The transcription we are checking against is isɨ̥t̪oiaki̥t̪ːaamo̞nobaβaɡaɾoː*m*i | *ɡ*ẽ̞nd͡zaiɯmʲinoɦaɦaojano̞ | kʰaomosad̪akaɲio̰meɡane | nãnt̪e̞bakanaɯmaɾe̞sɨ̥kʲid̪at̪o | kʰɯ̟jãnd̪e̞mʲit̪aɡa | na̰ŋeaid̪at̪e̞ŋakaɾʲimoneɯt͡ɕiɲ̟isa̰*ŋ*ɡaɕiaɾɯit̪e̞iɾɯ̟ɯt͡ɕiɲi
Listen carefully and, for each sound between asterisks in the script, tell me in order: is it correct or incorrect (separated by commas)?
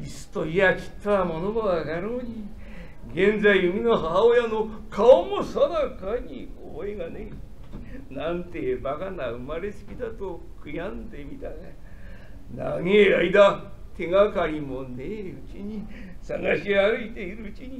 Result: incorrect, correct, correct